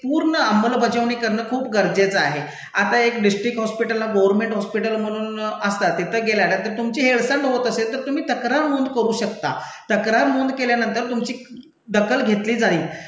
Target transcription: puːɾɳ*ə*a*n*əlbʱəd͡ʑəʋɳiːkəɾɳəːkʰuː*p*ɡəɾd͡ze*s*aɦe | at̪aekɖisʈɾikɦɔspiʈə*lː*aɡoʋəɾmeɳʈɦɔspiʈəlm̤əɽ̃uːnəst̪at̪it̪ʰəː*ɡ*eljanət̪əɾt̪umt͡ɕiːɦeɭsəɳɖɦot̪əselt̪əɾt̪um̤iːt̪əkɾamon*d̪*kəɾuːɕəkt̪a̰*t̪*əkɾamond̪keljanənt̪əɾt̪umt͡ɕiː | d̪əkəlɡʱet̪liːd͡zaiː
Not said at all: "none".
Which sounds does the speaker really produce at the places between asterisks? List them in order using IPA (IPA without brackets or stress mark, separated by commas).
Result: ə, m, p, t͡s, lː, ɡ, d̪, t̪